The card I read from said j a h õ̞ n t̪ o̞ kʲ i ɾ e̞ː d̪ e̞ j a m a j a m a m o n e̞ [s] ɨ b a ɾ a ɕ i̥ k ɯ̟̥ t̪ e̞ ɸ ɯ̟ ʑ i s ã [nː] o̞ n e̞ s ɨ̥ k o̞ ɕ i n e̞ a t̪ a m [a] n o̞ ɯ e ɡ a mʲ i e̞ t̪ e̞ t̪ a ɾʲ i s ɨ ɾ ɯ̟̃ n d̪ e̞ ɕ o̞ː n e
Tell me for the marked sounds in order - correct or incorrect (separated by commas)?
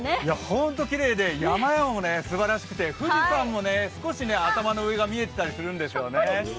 correct, incorrect, correct